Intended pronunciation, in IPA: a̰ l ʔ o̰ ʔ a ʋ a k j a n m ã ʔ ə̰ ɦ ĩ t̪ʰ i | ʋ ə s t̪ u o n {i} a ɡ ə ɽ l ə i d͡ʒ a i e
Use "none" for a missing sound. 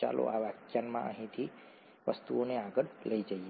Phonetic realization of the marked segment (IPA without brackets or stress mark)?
e